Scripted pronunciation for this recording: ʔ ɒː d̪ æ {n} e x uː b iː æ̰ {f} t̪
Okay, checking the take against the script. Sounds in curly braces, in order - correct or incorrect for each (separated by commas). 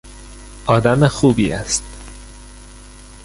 incorrect, incorrect